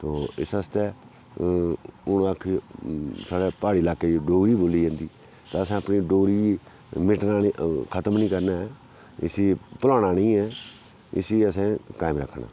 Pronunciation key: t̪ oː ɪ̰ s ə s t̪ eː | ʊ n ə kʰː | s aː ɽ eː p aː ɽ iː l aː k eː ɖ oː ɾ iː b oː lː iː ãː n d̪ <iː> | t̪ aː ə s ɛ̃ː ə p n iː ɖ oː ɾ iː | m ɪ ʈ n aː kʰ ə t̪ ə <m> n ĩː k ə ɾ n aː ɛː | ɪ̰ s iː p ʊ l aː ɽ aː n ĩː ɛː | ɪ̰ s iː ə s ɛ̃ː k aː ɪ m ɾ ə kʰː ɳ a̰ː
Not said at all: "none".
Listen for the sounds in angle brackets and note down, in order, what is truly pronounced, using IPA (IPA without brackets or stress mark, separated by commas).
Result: iː, m